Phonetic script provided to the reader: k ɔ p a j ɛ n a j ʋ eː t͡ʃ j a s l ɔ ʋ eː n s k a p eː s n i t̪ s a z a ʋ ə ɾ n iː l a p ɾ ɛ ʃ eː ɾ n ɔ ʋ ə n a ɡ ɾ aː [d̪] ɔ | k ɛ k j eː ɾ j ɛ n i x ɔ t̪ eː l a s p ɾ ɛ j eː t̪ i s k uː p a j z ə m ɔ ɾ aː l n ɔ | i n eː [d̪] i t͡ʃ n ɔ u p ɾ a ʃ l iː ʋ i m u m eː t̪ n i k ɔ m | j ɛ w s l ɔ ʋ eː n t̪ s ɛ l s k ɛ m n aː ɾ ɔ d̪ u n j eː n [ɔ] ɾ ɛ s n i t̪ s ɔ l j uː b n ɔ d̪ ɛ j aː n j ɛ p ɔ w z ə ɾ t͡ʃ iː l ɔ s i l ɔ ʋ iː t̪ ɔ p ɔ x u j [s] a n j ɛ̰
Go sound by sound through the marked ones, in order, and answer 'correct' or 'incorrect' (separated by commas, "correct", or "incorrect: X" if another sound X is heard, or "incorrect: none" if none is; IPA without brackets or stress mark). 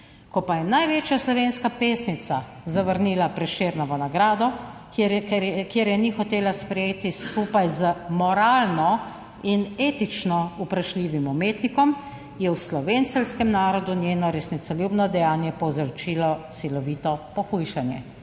correct, incorrect: t̪, correct, incorrect: ʃ